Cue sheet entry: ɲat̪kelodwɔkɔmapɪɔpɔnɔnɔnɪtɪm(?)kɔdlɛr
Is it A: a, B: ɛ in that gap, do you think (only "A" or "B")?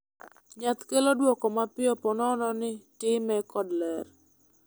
B